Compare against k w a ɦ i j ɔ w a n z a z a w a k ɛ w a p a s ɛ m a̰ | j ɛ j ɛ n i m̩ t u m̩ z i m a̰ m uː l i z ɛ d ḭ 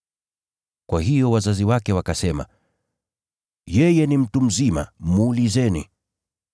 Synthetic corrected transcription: k w a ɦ i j ɔ w a z a z i w a k ɛ w a k a s ɛ m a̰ | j ɛ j ɛ n i m̩ t u m̩ z i m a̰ m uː l i z ɛ n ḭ